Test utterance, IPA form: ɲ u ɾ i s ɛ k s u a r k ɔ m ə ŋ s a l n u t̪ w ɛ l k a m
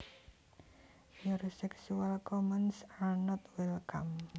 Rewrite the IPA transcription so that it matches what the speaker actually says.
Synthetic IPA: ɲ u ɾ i s ɛ k s u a l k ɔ m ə n s a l n ɔ t̪ w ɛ l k a m

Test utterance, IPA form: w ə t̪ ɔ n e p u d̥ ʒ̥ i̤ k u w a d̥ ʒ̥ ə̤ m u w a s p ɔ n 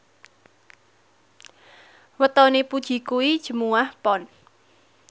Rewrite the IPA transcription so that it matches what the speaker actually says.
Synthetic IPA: w ə t̪ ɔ n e p u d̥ ʒ̥ i̤ k u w i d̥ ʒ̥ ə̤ m u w a h p ɔ n

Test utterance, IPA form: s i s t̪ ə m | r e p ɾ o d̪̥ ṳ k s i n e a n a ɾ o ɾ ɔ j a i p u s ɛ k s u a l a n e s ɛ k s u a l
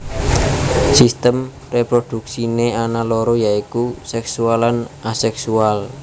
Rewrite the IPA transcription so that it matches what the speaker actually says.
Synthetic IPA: s i s t̪ ə m | r e p ɾ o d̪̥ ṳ k s i n e a n a l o ɾ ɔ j a i k u s ɛ k s u a l a n a s ɛ k s u a l

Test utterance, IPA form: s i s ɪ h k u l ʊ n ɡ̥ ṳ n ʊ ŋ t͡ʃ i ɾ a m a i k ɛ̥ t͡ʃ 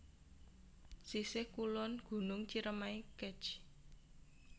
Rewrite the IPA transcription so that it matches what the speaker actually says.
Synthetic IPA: s i s ɪ h k u l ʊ n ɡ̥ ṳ n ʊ ŋ t͡ʃ i ɾ ə m a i k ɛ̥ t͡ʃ

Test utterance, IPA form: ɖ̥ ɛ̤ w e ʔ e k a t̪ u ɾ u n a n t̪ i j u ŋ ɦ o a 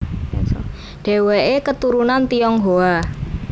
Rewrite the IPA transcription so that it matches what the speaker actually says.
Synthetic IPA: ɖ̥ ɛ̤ w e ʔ e k ə t̪ u ɾ u n a n t̪ i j ɔ ŋ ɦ o a

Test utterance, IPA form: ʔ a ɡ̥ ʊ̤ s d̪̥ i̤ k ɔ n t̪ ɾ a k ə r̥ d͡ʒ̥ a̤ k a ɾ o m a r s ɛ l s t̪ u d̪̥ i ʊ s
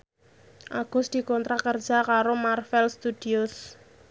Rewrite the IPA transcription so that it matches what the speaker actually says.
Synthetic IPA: ʔ a ɡ̥ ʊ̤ s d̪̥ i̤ k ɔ n t̪ ɾ a k ə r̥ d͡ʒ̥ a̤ k a ɾ o m a r f ɛ l s t̪ u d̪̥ i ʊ s

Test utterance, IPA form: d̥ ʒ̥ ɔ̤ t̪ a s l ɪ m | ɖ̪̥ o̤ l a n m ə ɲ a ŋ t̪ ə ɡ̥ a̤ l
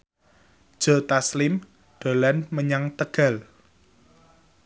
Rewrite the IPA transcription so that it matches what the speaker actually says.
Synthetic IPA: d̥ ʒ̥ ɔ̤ t̪ a s l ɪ m | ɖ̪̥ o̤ l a n m ə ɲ a ŋ t̪ ə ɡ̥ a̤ l

